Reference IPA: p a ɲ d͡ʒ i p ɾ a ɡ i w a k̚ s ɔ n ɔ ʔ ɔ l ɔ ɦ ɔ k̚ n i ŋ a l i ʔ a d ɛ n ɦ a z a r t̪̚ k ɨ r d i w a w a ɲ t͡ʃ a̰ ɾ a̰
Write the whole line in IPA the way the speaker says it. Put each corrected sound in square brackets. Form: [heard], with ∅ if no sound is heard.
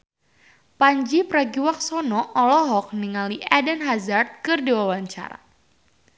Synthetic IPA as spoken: p a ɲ d͡ʒ i p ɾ a ɡ i w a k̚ s ɔ n ɔ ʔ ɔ l ɔ ɦ ɔ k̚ n i ŋ a l i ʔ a d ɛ n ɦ a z a r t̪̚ k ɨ r d i w a w a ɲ t͡ʃ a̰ ɾ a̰

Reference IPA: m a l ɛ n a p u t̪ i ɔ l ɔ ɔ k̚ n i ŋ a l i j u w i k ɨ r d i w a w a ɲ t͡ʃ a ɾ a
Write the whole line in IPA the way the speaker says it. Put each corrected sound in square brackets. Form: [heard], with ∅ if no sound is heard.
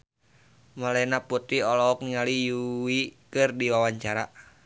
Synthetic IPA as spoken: m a l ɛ n a p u t̪ i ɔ l ɔ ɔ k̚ n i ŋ a l i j u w i k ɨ r d i w a w a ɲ t͡ʃ a ɾ a

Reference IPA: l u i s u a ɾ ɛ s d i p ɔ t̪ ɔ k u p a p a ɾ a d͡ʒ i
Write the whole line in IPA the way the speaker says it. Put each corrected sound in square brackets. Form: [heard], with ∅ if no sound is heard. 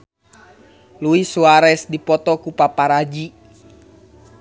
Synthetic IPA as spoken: l u i s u a ɾ ɛ s d i p ɔ t̪ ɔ k u p a p a ɾ a d͡ʒ i

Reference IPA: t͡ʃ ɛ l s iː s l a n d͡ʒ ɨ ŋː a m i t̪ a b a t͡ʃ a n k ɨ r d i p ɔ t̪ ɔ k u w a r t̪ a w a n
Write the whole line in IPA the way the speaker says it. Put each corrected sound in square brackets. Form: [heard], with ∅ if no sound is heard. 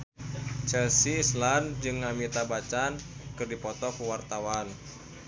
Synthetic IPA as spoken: t͡ʃ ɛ l s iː s l a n d͡ʒ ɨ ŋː a m i t̪ a b a t͡ʃ a n k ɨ r d i p ɔ t̪ ɔ k u w a r t̪ a w a n

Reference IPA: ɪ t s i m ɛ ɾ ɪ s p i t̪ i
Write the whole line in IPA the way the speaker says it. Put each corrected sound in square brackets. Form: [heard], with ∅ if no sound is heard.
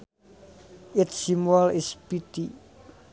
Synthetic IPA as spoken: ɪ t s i m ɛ [l] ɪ s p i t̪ i

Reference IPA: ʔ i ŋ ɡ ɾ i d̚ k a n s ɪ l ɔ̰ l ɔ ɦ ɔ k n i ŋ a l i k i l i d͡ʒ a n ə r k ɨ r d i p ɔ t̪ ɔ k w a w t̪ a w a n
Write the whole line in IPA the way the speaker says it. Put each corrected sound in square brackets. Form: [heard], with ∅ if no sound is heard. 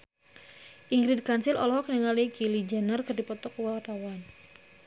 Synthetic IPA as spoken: ʔ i ŋ ɡ ɾ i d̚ k a n s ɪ l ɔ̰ l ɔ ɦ ɔ k n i ŋ a l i k i l i d͡ʒ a n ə r k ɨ r d i p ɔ t̪ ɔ k w a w t̪ a w a n

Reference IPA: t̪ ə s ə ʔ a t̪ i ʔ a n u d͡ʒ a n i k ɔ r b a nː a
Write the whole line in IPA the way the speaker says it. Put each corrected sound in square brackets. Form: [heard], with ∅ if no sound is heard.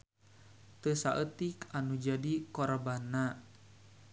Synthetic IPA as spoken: t̪ ə s [a] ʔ [ə] t̪ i [k] a n u d͡ʒ a [d] i k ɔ r b a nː a

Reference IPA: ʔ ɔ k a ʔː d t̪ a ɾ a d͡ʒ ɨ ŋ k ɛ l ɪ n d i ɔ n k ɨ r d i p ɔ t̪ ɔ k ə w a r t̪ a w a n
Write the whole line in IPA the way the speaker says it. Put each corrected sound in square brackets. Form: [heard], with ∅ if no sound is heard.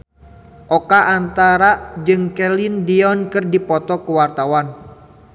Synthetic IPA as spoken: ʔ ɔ k a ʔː [n] t̪ a ɾ a d͡ʒ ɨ ŋ k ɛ l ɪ n d i ɔ n k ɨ r d i p ɔ t̪ ɔ k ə w a r t̪ a w a n

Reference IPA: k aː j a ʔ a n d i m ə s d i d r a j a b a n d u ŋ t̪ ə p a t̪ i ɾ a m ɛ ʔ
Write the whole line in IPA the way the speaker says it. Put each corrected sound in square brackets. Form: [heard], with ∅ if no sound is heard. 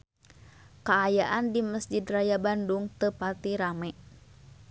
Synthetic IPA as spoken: k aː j a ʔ a n d i m ə s [d͡ʒ] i d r a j a b a n d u ŋ t̪ ə p a t̪ i ɾ a m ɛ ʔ

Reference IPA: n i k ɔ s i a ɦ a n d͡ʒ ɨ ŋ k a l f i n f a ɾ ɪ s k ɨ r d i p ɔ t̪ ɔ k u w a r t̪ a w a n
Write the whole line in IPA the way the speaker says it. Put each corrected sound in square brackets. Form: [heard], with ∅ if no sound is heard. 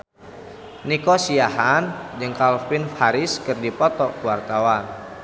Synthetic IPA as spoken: n i k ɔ s i a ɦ a n d͡ʒ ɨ ŋ k a l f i n f a ɾ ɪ s k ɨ r d i p ɔ t̪ ɔ k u w a r t̪ a w a n

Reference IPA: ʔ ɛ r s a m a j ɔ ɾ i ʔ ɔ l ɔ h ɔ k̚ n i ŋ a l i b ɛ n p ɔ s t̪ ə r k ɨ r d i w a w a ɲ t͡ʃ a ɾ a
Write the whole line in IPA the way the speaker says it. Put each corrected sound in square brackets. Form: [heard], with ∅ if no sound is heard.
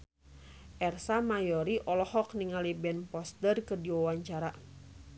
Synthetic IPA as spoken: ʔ ɛ r s a m a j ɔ ɾ i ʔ ɔ l ɔ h ɔ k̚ n i ŋ a l i b ɛ n p ɔ s t̪ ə r k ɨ r d i w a w a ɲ t͡ʃ a ɾ a

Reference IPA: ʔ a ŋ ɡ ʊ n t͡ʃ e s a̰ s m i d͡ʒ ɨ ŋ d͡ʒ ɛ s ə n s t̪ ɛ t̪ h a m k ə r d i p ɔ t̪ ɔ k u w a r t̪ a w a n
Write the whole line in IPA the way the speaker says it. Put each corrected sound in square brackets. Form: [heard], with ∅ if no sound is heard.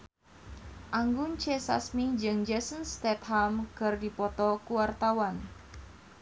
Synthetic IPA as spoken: ʔ a ŋ ɡ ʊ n t͡ʃ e s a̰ s m i d͡ʒ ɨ ŋ d͡ʒ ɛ s ə n s t̪ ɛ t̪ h a m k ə r d i p ɔ t̪ ɔ k u w a r t̪ a w a n

